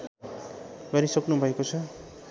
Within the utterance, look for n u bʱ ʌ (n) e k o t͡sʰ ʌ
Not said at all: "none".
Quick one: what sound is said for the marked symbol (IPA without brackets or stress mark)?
none